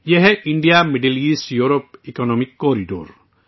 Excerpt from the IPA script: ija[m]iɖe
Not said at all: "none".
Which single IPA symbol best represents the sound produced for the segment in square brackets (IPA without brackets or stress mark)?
m